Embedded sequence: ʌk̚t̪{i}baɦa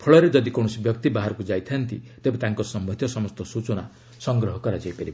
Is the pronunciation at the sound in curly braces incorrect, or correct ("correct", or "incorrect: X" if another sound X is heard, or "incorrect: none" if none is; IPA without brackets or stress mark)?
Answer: correct